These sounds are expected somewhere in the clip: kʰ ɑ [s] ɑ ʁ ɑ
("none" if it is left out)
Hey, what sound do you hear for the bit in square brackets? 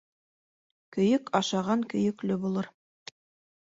ʃ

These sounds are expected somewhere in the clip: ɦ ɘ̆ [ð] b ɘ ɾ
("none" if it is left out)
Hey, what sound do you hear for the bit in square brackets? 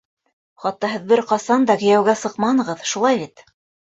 ð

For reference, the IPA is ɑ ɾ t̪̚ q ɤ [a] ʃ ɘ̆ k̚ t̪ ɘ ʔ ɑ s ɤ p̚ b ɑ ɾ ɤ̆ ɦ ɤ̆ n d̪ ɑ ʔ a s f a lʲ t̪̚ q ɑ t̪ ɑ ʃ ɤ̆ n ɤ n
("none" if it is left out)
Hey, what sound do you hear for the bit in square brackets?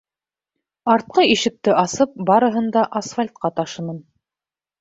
i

